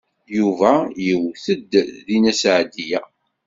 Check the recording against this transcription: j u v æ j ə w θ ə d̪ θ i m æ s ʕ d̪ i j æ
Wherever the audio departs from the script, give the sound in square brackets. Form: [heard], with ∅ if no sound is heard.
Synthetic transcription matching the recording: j u v æ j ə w θ ə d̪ [ð] i [n] æ s ʕ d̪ i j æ